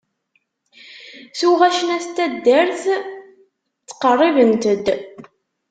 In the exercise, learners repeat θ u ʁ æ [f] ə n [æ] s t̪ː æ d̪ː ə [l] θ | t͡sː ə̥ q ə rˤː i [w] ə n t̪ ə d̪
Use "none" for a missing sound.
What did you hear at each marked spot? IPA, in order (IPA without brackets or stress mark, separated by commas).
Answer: ʃ, æ, ɾ, v